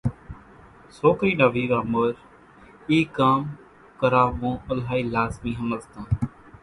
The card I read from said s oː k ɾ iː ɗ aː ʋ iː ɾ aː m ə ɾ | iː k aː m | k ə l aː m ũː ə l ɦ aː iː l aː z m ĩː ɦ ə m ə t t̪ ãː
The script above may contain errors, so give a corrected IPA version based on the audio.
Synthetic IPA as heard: s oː k ɾ iː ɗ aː ʋ iː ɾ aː m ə ɾ | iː k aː m | k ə ɾ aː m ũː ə l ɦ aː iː l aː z m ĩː ɦ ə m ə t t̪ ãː

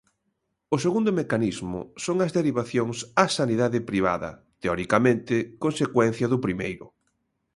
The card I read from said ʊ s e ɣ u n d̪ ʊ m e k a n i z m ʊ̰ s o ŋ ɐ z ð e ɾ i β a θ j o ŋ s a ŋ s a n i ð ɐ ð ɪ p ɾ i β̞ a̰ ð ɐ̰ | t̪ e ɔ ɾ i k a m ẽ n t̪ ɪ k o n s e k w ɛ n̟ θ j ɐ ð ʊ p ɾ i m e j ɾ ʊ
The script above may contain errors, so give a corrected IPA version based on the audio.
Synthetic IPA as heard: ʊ s e ɣ u n d̪ ʊ m e k a n i z m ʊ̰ s o ŋ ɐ z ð e ɾ i β a θ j o ŋ s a s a n i ð a ð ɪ p ɾ i β̞ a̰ ð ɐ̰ | t̪ e ɔ ɾ i k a m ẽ n t̪ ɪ k o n s e k w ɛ n̟ θ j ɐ ð ʊ p ɾ i m e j ɾ ʊ

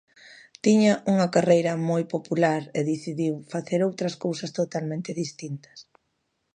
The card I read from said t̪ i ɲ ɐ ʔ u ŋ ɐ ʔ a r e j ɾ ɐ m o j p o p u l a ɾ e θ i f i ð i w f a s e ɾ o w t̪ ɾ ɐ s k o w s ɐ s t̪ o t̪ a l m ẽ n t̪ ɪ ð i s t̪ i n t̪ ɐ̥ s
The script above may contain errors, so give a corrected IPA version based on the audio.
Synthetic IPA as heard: t̪ i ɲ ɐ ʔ u ŋ ɐ k a r e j ɾ ɐ m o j p o p u l a ɾ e ð i θ i ð i w f a θ e ɾ o w t̪ ɾ ɐ s k o w s ɐ s t̪ o t̪ a l m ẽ n t̪ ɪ ð i s t̪ i n t̪ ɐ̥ s

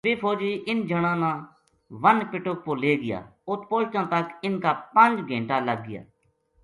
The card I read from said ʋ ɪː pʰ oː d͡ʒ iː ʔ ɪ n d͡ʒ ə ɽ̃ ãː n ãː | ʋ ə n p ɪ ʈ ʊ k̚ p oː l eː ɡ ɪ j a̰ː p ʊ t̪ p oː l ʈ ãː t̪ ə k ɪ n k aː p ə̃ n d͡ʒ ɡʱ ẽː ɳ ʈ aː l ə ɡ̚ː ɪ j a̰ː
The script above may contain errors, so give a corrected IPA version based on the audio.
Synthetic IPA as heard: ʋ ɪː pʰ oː d͡ʒ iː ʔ ɪ n d͡ʒ ə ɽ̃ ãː n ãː | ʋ ə n p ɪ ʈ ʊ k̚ p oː l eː ɡ ɪ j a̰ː ʊ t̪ p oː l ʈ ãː t̪ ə k ɪ n k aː p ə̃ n d͡ʒ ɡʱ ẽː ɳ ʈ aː l ə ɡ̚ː ɪ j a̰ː

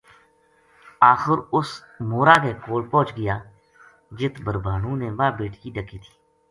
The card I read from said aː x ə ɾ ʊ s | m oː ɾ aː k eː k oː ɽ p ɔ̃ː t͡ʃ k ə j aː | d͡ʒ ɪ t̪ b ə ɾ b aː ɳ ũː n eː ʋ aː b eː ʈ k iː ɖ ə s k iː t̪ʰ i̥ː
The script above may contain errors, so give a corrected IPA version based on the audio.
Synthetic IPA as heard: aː x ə ɾ ʊ s | m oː ɾ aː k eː k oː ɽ p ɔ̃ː t͡ʃ ɡ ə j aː | d͡ʒ ɪ t̪ b ə ɾ b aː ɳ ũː n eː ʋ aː b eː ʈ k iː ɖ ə k iː t̪ʰ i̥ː

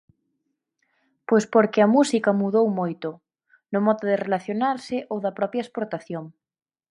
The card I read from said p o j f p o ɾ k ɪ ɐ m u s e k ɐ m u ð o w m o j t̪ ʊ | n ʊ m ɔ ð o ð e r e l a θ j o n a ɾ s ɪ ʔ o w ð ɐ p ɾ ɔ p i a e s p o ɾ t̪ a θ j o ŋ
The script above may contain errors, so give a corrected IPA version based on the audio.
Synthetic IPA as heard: p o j s p o ɾ k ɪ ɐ m u s i k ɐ m u ð o w m o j t̪ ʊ | n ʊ m ɔ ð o ð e r e l a θ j o n a ɾ s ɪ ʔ o w ð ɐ p ɾ ɔ p j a e s p o ɾ t̪ a θ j o ŋ

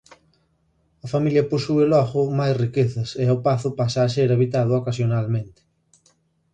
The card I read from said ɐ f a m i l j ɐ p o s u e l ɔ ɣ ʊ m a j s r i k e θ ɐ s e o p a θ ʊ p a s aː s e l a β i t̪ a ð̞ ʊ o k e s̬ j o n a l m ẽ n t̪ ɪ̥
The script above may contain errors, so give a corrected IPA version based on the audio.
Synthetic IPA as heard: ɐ f a m i l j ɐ p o s u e l ɔ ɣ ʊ m a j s r i k e θ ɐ s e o p a θ ʊ p a s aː s e ɾ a β i t̪ a ð̞ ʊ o k a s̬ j o n a l m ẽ n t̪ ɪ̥

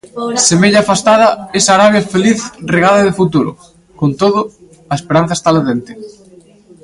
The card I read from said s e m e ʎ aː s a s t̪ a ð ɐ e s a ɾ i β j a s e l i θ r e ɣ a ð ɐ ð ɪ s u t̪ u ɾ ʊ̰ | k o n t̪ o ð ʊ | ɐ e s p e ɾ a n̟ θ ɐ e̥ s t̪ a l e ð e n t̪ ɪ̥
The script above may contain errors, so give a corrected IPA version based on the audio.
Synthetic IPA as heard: s e m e ʎ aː f a s t̪ a ð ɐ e s a ɾ a β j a f e l i θ r e ɣ a ð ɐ ð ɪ f u t̪ u ɾ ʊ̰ | k o n t̪ o ð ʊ | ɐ e s p e ɾ a n̟ θ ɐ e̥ s t̪ a l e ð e n t̪ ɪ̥

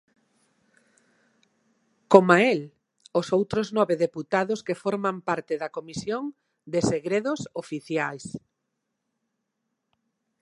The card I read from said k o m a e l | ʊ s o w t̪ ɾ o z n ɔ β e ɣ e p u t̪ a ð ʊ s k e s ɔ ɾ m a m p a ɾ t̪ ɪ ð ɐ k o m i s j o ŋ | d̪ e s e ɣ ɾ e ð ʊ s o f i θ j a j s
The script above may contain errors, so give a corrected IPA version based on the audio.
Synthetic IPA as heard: k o m a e l | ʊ s o w t̪ ɾ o z n ɔ β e ð e p u t̪ a ð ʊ s k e f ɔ ɾ m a m p a ɾ t̪ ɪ ð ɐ k o m i s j o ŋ | d̪ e s e ɣ ɾ e ð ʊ s o f i θ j a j s

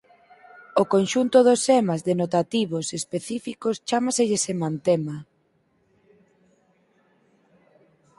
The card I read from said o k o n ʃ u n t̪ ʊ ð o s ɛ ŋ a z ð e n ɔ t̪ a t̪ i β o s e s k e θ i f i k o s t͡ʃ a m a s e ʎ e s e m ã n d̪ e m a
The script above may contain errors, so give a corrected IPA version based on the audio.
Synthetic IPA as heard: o k o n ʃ u n t̪ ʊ ð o s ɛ m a z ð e n o t̪ a t̪ i β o s e s p e θ i f i k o s t͡ʃ a m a s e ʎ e s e m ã n t̪ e m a

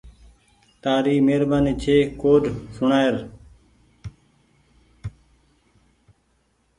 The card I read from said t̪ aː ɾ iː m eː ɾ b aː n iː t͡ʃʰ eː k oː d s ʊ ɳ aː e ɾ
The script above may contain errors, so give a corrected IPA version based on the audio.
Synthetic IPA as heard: t̪ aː ɾ iː m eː ɾ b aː n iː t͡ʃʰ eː k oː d s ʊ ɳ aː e ɾ

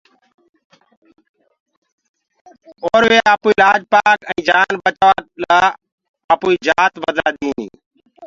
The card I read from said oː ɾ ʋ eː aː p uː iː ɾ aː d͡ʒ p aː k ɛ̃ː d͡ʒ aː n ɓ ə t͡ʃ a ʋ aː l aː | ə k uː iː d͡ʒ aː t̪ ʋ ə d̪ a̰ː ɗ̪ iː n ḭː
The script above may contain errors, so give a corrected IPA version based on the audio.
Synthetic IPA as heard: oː ɾ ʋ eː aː p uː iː l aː d͡ʒ p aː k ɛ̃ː d͡ʒ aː n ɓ ə t͡ʃ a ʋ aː l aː | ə p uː iː d͡ʒ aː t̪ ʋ ə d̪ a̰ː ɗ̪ iː n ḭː

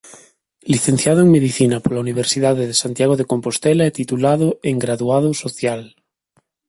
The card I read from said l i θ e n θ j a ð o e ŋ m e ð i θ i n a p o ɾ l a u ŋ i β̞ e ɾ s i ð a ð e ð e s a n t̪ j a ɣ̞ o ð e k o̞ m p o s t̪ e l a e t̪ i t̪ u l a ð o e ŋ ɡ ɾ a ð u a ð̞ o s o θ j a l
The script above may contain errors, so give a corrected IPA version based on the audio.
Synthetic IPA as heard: l i θ e n θ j a ð o e ŋ m e ð i θ i n a p o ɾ l a u n i β̞ e ɾ s i ð a ð e ð e s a n t̪ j a ɣ̞ o ð e k o̞ m p o s t̪ e l a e t̪ i t̪ u l a ð o e ŋ ɡ ɾ a ð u a ð̞ o s o θ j a l

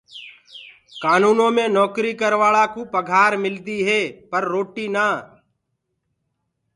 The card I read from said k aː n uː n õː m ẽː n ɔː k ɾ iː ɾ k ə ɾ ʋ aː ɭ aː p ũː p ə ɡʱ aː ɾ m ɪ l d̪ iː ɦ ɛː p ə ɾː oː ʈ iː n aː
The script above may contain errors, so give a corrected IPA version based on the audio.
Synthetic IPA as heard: k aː n uː n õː m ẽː n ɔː k ɾ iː k ə ɾ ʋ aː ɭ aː k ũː p ə ɡʱ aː ɾ m ɪ l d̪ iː ɦ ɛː p ə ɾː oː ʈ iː n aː

